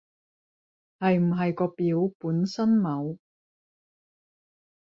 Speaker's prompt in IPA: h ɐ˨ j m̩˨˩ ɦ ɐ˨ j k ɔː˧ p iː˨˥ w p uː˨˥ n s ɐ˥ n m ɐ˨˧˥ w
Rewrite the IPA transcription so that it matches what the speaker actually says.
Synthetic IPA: h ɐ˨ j m̩˨˩ ɦ ɐ˨ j k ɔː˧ p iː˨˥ w p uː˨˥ n s ɐ˥ n m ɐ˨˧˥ w